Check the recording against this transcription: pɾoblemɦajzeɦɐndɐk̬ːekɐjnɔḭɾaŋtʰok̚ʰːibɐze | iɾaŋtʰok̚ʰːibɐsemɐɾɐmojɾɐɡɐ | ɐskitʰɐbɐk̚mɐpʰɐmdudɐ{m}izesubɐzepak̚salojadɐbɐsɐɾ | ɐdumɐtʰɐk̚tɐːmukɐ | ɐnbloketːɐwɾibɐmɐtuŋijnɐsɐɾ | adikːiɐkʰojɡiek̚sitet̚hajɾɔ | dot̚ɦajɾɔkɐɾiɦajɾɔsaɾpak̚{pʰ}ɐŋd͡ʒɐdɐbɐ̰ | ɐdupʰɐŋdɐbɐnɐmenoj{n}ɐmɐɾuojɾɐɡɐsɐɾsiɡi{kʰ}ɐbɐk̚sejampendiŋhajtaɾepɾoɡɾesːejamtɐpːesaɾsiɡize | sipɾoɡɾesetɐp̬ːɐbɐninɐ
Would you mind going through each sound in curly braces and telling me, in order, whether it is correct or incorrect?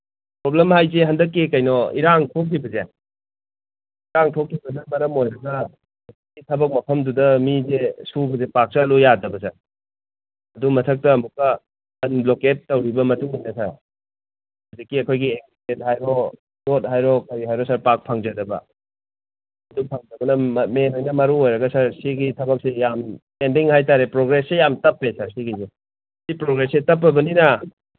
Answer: correct, correct, correct, incorrect

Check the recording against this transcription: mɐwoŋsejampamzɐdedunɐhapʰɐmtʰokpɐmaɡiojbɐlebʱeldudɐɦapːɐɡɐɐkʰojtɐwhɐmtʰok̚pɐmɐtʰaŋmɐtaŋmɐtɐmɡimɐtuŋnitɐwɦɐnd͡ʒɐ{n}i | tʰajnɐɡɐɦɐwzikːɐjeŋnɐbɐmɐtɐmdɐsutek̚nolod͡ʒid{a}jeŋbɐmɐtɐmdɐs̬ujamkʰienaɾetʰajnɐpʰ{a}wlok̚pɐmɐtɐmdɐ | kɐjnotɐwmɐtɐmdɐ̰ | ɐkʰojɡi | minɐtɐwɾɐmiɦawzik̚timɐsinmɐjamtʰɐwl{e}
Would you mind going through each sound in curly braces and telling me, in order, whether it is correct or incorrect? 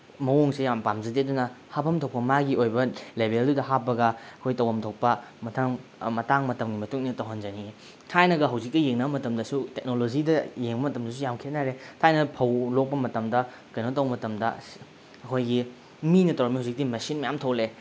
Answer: correct, incorrect, incorrect, correct

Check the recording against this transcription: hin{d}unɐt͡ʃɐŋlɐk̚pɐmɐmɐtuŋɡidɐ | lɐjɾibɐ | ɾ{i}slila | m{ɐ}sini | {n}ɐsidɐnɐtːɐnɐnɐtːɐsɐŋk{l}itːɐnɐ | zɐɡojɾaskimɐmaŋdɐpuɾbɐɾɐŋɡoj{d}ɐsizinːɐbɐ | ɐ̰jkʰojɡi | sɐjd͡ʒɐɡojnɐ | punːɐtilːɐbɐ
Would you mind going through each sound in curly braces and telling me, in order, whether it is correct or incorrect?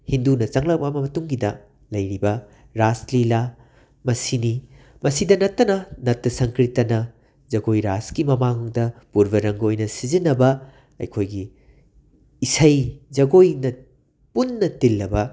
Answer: correct, incorrect, correct, incorrect, incorrect, incorrect

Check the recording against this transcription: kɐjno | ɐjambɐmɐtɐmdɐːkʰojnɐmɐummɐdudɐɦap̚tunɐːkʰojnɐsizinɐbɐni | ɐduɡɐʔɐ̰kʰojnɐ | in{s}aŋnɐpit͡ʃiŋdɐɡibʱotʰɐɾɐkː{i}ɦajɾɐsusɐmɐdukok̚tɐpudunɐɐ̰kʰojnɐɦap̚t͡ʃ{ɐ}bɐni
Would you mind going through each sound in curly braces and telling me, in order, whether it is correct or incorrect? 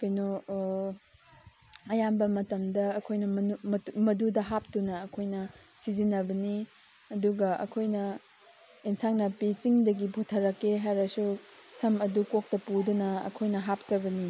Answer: correct, incorrect, correct

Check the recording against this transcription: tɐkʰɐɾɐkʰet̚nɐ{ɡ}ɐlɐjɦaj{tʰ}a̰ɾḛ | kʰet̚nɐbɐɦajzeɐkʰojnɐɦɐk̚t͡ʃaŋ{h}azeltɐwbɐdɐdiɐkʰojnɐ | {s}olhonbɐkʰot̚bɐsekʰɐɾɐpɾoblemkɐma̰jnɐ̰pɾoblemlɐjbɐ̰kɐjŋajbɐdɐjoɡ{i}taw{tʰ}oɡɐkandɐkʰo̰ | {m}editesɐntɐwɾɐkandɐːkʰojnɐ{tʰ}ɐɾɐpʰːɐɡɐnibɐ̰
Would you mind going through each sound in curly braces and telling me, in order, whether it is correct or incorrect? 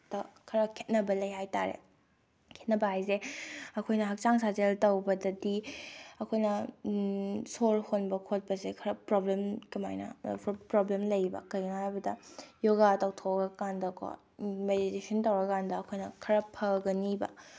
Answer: incorrect, incorrect, incorrect, correct, incorrect, correct, correct, incorrect

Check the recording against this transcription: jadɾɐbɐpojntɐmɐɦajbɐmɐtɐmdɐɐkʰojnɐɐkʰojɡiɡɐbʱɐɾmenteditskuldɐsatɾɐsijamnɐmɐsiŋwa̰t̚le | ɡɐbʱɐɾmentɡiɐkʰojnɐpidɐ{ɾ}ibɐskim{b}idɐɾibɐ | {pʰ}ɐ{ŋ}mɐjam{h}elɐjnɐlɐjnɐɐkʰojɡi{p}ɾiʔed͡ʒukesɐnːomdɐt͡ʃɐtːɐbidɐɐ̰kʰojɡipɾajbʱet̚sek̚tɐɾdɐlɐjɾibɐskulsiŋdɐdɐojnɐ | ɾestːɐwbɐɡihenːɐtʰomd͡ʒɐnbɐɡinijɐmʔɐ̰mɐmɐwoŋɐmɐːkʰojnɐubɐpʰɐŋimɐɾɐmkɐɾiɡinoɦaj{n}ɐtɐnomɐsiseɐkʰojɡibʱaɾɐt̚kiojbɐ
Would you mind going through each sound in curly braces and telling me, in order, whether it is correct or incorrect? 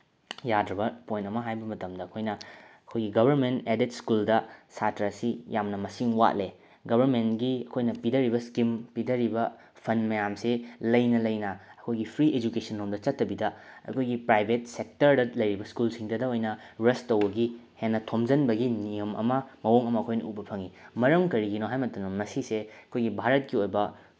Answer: correct, incorrect, correct, incorrect, incorrect, incorrect, incorrect

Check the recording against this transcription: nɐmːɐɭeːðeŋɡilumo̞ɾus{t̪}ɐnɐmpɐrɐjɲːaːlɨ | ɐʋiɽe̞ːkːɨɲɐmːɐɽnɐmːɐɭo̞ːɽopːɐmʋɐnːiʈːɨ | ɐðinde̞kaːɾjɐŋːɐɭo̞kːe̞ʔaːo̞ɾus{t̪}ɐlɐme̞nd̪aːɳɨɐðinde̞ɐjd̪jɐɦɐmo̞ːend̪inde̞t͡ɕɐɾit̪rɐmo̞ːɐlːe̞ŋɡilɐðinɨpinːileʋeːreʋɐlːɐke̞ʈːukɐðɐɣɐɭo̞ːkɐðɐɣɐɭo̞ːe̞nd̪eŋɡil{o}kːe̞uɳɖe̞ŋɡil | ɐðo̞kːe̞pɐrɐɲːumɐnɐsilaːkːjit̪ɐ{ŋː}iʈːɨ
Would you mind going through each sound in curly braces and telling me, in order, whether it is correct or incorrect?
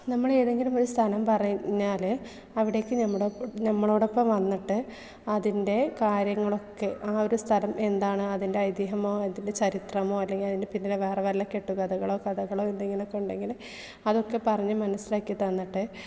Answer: incorrect, incorrect, correct, incorrect

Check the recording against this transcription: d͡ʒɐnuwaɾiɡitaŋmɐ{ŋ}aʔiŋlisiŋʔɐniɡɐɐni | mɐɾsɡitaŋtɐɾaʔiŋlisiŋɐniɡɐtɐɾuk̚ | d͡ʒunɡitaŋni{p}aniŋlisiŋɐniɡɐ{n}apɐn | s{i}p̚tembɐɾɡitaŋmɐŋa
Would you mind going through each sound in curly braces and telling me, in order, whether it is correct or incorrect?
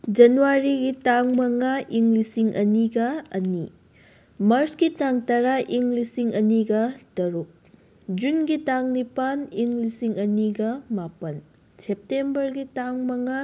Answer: correct, correct, incorrect, incorrect

